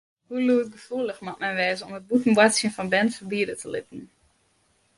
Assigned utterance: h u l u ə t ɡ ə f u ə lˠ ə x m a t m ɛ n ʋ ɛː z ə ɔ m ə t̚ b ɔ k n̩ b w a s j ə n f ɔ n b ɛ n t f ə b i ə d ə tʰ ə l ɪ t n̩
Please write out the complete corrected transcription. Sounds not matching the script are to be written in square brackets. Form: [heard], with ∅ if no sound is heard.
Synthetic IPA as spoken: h u l u ə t ɡ ə f u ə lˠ ə x m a t m ɛ n ʋ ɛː z ə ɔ m ə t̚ b [u] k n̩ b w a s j ə n f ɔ n b ɛ n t f ə b i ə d ə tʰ ə l ɪ t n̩

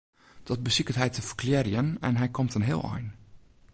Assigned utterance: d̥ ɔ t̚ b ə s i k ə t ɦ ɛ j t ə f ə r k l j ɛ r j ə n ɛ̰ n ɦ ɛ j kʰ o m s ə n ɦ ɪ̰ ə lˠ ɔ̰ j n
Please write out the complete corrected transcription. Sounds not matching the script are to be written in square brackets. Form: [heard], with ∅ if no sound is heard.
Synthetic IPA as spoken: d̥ ɔ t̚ b ə s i k ə t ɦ ɛ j t ə f ə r k l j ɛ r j ə n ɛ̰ n ɦ ɛ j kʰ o m [t] ə n ɦ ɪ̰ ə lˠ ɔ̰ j n

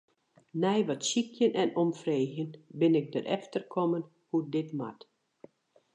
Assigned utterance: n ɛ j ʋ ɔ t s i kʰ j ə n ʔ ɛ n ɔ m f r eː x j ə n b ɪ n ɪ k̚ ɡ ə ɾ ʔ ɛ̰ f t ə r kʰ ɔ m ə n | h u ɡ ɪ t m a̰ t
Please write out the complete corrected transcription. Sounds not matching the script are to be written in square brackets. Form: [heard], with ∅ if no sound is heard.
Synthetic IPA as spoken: n ɛ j ʋ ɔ t s i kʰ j ə n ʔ ɛ n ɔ m f r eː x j ə n b ɪ n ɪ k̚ [d] ə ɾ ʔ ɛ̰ f t ə r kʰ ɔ m ə n | h u [d] ɪ t m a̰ t

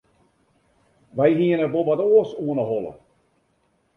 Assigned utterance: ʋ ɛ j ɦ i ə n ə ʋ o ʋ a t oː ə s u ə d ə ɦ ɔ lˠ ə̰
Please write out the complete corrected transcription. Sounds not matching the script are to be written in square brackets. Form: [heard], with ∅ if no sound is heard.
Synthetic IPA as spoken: ʋ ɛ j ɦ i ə n ə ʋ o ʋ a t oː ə s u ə [n] ə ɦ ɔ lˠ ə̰

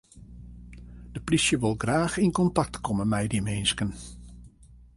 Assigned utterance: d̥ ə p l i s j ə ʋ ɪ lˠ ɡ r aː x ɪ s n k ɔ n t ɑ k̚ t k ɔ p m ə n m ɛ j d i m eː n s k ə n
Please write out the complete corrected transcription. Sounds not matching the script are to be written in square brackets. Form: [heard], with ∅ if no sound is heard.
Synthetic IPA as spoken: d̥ ə p l i s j ə ʋ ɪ lˠ ɡ r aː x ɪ [∅] n k ɔ n t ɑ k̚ t k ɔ [∅] m ə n m ɛ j d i m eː n s k ə n

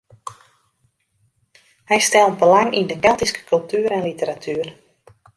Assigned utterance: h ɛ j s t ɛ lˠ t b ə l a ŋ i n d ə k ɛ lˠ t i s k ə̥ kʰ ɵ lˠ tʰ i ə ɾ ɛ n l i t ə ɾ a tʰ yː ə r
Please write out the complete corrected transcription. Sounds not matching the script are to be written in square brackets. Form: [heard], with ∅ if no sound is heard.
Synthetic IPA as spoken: h ɛ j s t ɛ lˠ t b ə l a ŋ i n d ə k ɛ lˠ t i s k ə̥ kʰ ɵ lˠ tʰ [y] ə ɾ ɛ n l i t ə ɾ a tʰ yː ə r

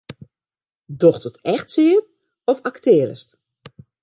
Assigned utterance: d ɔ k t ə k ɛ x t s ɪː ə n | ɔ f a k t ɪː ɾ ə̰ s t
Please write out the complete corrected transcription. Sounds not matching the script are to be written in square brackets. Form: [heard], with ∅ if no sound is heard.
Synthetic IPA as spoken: d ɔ [x] t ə [t] ɛ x t s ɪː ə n | ɔ f a k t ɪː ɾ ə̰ s t

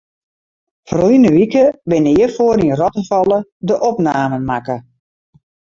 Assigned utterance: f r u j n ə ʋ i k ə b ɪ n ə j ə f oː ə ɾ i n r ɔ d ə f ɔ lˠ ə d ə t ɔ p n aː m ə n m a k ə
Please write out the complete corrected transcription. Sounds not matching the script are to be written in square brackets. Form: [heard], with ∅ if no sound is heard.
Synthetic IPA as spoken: f r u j n ə ʋ i k ə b ɪ n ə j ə f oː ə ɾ i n r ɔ [t] ə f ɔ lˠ ə d ə [ʔ] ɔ p n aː m ə n m a k ə

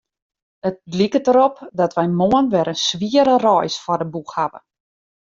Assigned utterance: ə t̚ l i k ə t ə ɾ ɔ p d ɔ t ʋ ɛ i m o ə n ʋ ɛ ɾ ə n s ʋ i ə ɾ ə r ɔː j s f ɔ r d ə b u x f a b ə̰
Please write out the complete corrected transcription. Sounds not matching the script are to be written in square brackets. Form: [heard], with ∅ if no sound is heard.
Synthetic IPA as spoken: ə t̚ l i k ə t ə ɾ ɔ p d ɔ t ʋ ɛ [j] m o ə n ʋ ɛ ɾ ə n s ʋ i ə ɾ ə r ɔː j s f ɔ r d ə b u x [h] a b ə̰

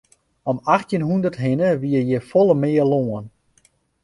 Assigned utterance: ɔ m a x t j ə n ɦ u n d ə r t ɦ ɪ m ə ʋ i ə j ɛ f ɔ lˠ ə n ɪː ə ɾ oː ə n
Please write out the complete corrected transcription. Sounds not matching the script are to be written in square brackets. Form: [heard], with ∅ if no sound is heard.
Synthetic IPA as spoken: ɔ m a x t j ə n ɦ u n d ə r t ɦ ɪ [n] ə ʋ i ə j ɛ f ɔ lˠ ə [m] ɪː ə [l] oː ə n

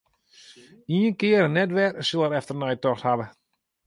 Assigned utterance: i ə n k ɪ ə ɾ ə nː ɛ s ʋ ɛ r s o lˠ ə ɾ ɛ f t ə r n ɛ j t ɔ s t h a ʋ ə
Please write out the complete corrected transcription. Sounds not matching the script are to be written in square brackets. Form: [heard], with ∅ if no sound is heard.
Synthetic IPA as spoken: i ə n k ɪ ə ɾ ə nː ɛ [t] ʋ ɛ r s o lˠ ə ɾ ɛ f t ə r n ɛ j t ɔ [x] t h a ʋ ə

